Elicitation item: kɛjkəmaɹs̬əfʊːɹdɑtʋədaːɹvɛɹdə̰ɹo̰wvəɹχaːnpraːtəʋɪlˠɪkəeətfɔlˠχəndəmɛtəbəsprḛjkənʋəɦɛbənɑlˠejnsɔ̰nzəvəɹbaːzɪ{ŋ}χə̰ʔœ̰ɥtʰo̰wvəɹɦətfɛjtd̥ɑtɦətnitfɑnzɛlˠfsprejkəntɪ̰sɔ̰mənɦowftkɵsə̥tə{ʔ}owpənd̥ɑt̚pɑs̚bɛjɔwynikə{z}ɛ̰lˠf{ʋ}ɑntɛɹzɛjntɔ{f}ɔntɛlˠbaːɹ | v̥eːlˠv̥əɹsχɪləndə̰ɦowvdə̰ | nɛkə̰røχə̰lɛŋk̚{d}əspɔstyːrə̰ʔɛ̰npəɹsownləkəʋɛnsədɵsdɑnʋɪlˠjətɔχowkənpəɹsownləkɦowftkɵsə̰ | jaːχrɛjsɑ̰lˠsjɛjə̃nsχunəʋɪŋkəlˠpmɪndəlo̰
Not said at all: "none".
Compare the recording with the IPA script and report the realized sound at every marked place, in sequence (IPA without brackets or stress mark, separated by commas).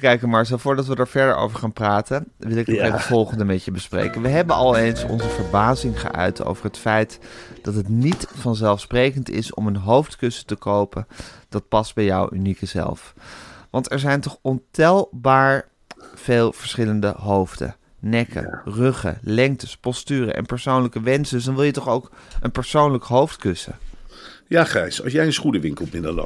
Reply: ŋ, k, z, ʋ, χ, t